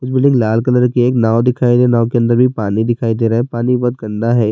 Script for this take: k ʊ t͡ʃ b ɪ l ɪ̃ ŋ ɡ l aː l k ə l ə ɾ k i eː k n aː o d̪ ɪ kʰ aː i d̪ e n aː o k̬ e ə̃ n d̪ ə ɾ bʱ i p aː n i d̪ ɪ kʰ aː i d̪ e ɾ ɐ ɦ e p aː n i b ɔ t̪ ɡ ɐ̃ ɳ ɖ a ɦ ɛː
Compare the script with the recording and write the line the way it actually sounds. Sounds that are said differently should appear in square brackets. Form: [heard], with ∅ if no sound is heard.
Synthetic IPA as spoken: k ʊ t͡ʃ b ɪ l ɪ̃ ŋ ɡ l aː l k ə l ə ɾ k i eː k n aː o d̪ ɪ kʰ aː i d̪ e n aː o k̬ e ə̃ n d̪ ə ɾ bʱ i p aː n i d̪ ɪ kʰ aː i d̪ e ɾ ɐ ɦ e p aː n i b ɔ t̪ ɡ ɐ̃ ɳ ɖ a ɦ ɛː